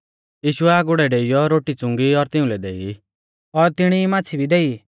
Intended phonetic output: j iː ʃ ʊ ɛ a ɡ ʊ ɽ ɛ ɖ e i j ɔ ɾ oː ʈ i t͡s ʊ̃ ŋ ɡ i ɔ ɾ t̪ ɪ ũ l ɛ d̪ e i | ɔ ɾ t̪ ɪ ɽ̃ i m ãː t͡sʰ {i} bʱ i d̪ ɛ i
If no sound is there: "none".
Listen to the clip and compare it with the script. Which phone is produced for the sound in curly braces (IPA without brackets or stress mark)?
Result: i